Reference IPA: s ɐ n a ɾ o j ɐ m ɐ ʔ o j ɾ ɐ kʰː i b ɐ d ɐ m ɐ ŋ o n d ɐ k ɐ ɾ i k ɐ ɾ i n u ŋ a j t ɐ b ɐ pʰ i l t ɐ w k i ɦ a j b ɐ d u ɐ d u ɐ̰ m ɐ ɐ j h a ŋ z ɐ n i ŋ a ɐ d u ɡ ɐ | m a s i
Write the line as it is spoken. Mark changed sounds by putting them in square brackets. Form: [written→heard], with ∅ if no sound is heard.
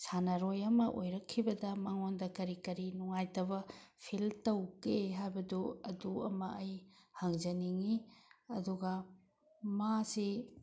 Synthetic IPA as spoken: s [ɐ→a] n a ɾ o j ɐ m ɐ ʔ o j ɾ ɐ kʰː i b ɐ d ɐ m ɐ ŋ o n d ɐ k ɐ ɾ i k ɐ ɾ i n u ŋ a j t ɐ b ɐ pʰ i l t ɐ w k [i→e] ɦ a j b ɐ d u ɐ d u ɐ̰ m ɐ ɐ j h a ŋ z ɐ n i ŋ [a→i] ɐ d u ɡ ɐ | m a s i